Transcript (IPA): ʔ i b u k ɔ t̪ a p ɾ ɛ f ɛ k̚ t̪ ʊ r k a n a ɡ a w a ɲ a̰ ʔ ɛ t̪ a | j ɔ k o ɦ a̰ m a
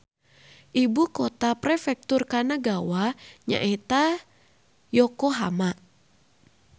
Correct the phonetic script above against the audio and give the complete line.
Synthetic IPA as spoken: ʔ i b u k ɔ t̪ a p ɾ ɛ f ɛ k̚ t̪ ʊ r k a n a ɡ a w a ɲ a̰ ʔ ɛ t̪ a | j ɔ k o ɦ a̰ m a